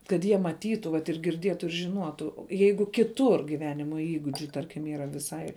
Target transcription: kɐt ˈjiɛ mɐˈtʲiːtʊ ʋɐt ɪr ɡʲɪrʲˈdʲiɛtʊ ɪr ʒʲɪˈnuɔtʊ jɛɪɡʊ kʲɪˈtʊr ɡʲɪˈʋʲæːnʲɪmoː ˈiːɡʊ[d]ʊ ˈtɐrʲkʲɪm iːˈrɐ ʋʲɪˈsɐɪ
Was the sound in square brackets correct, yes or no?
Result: no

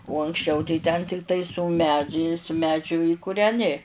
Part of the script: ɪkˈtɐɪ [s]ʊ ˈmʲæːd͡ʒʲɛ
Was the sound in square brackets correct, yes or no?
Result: yes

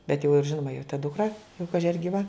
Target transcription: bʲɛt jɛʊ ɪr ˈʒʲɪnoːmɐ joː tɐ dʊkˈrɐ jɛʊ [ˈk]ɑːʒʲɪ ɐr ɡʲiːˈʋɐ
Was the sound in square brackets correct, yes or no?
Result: yes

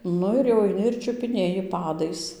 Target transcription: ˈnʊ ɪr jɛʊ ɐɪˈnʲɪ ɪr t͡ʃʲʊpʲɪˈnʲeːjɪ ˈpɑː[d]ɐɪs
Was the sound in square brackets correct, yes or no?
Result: yes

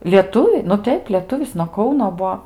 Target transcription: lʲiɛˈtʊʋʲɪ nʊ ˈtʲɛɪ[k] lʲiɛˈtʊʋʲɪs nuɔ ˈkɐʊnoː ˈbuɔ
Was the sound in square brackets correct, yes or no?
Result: no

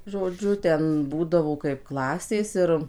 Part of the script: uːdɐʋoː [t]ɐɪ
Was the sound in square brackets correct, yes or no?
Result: no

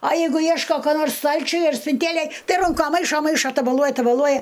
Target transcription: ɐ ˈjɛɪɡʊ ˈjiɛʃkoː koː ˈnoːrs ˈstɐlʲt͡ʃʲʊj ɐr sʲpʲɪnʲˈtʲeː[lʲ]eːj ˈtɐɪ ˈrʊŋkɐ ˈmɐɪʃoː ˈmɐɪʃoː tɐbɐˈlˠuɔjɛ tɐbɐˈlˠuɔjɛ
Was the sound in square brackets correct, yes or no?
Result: yes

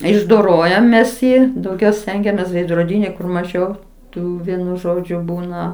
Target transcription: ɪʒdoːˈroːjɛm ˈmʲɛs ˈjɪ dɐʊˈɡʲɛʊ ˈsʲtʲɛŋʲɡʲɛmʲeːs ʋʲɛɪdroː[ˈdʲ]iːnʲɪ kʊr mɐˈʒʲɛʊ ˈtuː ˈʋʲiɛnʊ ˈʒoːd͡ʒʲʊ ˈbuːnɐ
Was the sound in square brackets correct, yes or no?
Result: yes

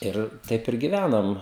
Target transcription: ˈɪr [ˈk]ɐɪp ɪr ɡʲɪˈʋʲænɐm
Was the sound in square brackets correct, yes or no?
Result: no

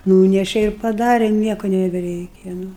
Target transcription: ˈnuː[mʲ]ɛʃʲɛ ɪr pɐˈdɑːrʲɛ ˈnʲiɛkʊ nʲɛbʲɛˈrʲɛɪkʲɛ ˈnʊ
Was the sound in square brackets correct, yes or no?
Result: no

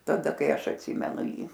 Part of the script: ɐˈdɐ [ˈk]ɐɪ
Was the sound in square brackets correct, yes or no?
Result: yes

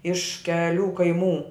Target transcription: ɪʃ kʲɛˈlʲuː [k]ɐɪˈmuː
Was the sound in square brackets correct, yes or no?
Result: yes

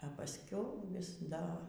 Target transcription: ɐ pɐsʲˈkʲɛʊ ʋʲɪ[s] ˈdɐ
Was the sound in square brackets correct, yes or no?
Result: yes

